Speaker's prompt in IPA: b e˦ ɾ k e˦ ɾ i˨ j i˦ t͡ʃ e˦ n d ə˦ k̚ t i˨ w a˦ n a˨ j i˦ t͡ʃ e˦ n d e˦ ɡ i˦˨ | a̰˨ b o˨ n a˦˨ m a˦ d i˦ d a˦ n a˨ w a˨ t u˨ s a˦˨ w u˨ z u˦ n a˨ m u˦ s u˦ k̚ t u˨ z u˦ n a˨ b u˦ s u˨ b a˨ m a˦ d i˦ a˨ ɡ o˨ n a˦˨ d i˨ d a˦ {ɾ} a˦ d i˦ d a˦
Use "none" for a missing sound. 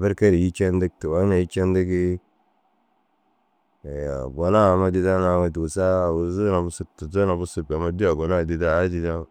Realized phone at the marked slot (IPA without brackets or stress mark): none